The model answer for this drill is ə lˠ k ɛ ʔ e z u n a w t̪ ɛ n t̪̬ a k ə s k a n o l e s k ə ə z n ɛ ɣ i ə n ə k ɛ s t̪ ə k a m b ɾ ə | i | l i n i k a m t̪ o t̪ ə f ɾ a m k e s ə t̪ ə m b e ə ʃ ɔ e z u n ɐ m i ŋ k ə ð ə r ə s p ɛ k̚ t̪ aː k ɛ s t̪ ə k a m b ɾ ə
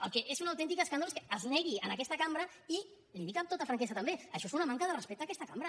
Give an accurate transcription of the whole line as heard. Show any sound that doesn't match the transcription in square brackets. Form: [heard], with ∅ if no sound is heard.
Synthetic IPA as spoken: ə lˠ k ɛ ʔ e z u n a w t̪ ɛ n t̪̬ [i] k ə s k a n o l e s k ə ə z n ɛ ɣ i ə n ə k ɛ s t̪ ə k a m b ɾ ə | i | l i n i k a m t̪ o t̪ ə f ɾ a [ŋ] k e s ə t̪ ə m b e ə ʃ ɔ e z u n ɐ m [a] ŋ k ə ð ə r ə s p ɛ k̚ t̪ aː k ɛ s t̪ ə k a m b ɾ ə